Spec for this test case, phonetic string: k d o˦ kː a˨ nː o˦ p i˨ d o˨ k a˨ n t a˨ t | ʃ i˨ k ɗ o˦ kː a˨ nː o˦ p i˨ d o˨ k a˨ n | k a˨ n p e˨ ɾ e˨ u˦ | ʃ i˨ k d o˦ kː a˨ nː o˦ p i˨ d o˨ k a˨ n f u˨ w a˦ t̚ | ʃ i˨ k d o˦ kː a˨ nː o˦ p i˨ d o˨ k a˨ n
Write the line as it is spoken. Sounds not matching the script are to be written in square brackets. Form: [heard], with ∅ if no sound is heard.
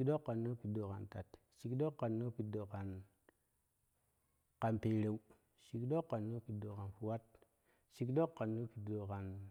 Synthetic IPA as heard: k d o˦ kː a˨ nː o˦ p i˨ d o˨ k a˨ n t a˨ t | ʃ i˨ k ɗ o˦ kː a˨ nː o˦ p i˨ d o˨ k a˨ n | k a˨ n p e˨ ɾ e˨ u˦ | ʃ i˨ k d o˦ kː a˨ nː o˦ p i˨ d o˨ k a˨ n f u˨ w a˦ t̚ | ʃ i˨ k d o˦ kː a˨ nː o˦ p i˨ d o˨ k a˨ n